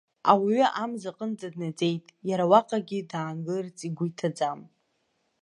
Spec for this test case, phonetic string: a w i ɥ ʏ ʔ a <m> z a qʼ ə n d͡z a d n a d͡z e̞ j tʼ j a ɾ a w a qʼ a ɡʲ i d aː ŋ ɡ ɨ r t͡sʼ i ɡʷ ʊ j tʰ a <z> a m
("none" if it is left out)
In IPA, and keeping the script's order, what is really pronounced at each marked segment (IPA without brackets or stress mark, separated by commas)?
m, d͡z